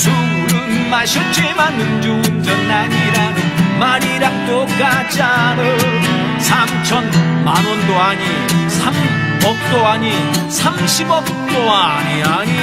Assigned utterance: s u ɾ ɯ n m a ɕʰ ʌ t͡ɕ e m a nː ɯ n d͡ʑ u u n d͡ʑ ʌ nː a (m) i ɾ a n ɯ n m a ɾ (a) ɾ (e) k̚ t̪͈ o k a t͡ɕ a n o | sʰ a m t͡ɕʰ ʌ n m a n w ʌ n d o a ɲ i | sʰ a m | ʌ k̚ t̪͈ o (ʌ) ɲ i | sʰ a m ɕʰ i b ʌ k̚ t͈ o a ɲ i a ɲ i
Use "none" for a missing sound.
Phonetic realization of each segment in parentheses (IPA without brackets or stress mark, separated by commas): ɲ, i, a, a